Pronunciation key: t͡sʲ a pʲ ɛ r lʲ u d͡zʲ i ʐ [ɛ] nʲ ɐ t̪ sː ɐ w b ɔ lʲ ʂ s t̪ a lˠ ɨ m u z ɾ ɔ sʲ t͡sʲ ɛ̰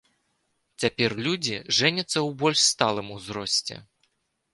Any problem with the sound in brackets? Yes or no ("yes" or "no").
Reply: no